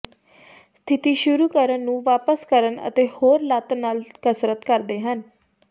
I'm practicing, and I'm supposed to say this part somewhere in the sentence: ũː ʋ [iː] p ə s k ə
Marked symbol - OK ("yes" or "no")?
no